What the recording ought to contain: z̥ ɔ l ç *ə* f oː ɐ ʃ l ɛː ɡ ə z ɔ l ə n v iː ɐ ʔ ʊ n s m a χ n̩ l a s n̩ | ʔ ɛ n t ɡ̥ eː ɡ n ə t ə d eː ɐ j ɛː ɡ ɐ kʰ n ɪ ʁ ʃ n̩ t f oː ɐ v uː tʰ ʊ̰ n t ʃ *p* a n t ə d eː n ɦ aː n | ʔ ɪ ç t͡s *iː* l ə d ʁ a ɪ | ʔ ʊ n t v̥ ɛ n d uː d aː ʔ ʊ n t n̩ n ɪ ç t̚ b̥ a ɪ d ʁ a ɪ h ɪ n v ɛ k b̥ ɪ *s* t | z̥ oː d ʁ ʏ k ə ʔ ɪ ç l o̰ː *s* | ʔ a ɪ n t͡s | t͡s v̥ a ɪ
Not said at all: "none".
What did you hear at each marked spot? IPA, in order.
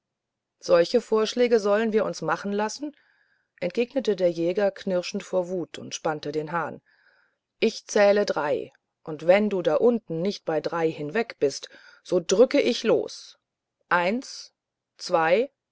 ə, p, ɛː, s, s

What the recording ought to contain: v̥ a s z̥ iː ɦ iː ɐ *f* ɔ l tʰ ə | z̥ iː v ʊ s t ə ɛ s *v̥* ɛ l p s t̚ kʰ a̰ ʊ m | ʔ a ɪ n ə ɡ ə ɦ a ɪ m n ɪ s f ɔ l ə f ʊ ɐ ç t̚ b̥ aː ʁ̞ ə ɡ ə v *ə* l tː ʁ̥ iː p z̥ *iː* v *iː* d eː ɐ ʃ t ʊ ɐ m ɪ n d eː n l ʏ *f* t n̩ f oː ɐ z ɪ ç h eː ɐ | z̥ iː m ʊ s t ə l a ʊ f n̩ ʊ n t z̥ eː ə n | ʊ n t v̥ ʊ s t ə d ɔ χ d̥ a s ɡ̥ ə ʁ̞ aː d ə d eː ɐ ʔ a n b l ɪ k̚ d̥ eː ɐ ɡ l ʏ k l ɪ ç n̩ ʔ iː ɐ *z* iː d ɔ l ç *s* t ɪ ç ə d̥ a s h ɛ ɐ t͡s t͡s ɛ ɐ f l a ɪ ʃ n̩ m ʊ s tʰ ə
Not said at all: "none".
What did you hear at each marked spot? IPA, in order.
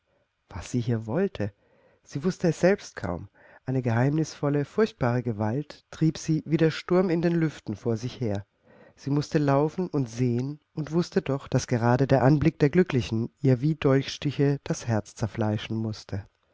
v, z̥, a, iː, iː, f, v, ʃ

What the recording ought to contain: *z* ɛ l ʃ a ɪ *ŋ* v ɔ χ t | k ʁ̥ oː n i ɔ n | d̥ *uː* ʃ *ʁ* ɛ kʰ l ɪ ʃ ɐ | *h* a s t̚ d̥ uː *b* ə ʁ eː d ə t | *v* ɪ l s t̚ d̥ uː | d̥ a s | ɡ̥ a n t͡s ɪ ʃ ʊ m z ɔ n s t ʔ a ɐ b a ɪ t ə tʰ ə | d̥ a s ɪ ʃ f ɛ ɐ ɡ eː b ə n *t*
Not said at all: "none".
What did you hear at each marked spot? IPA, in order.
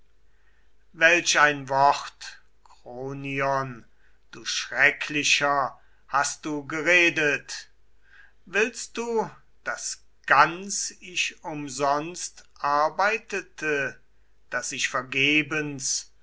v, n, uː, ʁ, h, ɡ, v, s

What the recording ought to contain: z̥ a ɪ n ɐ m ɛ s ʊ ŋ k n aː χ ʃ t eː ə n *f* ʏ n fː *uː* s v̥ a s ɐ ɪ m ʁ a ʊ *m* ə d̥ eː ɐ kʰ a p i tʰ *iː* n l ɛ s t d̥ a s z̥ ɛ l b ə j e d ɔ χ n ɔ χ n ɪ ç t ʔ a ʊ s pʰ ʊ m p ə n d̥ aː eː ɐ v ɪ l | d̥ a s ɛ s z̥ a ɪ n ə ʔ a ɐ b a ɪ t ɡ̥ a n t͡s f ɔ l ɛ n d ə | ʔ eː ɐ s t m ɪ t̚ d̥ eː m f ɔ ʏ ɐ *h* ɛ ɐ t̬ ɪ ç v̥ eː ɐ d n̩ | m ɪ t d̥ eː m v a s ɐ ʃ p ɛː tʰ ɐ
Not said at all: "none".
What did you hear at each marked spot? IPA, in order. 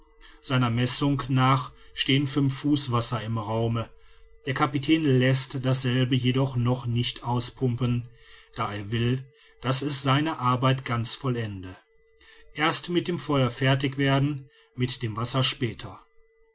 f, uː, m, ɛː, f

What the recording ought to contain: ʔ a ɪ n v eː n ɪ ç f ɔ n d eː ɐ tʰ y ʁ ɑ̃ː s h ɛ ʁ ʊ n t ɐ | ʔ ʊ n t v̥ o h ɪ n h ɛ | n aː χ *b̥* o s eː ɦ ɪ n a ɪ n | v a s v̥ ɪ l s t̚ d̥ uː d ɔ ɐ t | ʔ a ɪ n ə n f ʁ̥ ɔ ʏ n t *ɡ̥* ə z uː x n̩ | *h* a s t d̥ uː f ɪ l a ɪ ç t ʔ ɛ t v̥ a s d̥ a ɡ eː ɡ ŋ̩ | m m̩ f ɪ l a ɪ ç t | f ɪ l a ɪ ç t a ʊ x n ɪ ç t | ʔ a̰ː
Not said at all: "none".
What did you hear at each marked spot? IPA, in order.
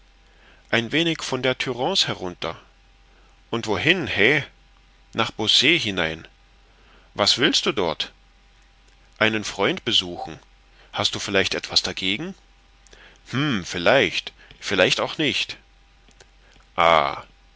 b̥, b̥, h

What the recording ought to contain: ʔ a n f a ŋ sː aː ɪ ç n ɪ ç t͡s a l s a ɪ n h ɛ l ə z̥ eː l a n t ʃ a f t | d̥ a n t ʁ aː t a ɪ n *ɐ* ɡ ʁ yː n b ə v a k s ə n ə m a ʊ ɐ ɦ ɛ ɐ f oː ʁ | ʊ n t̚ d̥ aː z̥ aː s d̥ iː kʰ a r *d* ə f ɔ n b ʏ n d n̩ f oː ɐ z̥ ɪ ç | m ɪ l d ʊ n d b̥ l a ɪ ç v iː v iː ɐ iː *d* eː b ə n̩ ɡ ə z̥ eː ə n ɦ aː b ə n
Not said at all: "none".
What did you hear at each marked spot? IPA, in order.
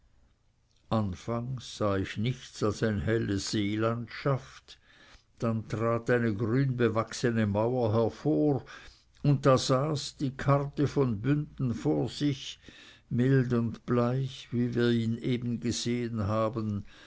ə, t, n

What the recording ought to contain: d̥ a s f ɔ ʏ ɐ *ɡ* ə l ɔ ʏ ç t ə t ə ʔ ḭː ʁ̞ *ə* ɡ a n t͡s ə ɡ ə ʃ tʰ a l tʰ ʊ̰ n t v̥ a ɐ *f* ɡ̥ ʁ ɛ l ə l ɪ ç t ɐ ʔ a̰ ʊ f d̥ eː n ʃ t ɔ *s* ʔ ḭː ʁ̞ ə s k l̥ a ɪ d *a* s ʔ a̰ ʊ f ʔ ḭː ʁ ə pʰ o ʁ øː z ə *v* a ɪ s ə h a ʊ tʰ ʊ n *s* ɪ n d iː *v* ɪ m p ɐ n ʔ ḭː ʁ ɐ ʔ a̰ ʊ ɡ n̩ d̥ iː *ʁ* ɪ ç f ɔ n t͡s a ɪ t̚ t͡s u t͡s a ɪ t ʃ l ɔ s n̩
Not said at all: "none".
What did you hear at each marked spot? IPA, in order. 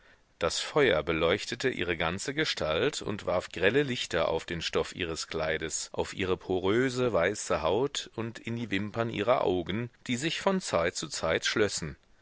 b, ə, f, f, ə, v, t, v, z

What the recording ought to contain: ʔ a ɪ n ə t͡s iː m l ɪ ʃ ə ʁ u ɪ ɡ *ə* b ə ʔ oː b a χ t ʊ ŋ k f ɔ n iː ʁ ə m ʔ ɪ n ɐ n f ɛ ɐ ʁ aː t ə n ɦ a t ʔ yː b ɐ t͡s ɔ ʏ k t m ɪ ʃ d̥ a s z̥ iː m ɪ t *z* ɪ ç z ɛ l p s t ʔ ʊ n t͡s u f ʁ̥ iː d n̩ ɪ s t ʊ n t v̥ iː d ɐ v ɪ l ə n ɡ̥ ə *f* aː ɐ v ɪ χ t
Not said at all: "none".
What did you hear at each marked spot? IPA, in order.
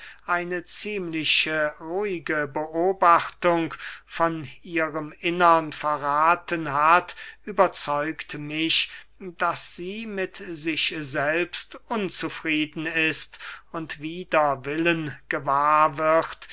ə, z, v

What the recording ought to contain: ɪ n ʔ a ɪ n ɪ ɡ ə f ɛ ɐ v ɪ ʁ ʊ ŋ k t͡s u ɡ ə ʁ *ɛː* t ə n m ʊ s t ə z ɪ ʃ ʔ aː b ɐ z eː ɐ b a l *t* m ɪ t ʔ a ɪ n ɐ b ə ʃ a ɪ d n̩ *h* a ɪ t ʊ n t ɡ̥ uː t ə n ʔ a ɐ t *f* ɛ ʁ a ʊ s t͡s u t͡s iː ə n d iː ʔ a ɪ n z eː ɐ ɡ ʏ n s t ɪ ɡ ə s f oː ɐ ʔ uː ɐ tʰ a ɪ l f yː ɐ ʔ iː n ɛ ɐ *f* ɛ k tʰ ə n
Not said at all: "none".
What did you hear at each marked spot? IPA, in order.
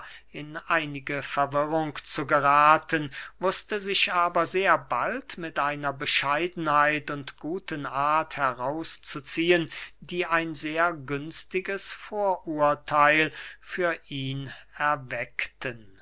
aː, t, h, h, v

